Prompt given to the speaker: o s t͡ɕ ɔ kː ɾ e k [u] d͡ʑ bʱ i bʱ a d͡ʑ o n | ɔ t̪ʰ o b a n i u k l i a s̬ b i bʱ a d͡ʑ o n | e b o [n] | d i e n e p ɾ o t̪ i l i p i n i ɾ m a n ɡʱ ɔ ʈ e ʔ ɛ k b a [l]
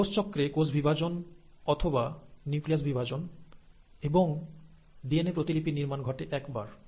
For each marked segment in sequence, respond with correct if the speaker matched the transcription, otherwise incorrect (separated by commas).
incorrect, incorrect, incorrect